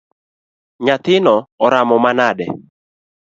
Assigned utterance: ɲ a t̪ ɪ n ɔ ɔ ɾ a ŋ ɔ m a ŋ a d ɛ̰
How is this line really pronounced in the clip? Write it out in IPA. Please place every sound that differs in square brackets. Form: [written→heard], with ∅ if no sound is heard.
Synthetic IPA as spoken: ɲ a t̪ ɪ n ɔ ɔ ɾ a [ŋ→m] ɔ m a [ŋ→n] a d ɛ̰